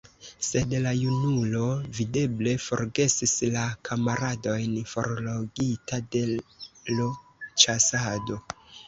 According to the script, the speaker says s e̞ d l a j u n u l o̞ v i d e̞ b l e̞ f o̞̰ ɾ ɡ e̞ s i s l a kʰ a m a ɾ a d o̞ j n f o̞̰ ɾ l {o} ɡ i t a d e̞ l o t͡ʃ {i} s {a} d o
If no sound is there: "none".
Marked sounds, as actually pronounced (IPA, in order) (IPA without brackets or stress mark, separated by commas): o, a, a